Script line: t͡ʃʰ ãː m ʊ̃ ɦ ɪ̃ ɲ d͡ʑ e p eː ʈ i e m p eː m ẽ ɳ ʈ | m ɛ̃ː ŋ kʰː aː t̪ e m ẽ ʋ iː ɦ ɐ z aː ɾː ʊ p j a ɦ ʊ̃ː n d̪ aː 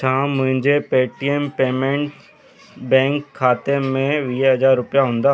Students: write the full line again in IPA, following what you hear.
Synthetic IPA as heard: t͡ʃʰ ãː m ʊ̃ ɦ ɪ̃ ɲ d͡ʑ e p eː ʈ i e m p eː m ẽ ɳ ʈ | b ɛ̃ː ŋ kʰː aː t̪ e m ẽ ʋ iː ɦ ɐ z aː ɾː ʊ p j a ɦ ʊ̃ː n d̪ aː